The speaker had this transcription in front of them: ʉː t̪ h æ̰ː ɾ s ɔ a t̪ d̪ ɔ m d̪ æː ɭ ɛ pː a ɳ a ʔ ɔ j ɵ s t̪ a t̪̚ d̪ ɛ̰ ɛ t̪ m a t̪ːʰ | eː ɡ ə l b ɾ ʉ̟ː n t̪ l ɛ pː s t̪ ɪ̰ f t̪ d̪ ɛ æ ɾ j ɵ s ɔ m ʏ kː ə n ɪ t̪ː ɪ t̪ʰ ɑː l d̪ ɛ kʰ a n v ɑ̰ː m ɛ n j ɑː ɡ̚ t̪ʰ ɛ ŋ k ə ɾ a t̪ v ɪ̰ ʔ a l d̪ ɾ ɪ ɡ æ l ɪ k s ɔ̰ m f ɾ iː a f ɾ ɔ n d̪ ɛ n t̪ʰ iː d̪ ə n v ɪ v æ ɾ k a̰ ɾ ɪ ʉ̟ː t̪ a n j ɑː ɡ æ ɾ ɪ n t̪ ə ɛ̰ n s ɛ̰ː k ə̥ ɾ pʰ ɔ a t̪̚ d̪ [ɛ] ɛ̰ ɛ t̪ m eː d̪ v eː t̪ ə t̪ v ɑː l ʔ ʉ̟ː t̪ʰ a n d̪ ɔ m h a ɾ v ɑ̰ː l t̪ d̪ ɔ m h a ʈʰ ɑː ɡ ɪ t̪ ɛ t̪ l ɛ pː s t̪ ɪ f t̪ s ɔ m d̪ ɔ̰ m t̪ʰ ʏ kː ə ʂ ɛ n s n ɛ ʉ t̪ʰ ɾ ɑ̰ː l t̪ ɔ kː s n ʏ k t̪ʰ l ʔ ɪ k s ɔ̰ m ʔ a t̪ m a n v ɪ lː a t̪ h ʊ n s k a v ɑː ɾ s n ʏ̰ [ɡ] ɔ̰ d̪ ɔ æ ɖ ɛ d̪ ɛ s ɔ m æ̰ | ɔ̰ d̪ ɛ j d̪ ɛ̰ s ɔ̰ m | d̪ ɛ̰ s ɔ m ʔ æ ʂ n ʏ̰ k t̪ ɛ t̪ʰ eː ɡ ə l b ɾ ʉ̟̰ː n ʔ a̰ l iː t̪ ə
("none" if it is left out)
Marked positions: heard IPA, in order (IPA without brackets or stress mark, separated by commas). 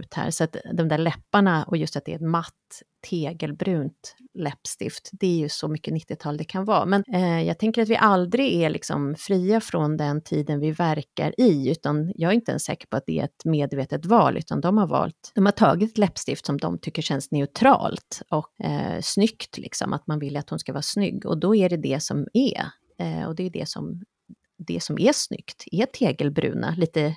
ɛ, ɡː